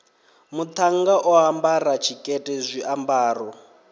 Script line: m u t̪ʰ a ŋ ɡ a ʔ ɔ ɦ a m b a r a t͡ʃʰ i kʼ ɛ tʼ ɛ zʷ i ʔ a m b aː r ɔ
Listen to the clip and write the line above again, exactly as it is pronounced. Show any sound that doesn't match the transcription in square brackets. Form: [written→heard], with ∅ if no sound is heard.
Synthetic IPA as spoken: m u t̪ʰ a ŋ ɡ a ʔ ɔ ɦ a m b a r a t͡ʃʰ i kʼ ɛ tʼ ɛ zʷ i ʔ a m b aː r ɔ